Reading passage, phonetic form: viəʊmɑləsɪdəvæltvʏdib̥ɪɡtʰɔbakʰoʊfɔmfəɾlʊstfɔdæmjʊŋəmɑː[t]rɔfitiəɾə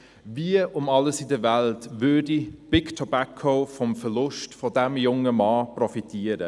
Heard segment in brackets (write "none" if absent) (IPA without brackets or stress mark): p